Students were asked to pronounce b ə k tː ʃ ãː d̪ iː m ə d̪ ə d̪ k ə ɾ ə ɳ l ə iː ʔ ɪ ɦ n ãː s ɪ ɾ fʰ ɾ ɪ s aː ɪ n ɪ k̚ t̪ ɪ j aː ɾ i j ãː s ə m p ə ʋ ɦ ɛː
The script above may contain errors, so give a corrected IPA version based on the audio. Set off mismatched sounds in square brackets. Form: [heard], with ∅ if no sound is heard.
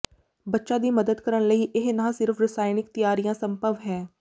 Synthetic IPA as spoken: b ə [∅] tː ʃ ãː d̪ iː m ə d̪ ə d̪ k ə ɾ ə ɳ l ə iː ʔ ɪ ɦ n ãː s ɪ ɾ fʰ ɾ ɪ s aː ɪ n ɪ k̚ t̪ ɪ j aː ɾ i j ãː s ə m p ə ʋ ɦ ɛː